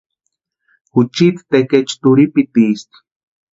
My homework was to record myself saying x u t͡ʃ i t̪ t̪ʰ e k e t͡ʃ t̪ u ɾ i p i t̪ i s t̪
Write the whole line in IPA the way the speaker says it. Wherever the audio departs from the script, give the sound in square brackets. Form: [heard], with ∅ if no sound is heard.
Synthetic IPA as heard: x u t͡ʃ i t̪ [t̪] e k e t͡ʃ t̪ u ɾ i p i t̪ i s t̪